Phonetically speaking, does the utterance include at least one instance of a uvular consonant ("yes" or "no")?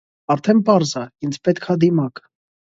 no